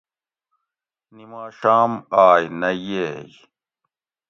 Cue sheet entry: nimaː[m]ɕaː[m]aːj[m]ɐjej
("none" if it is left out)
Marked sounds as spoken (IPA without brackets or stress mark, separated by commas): none, m, n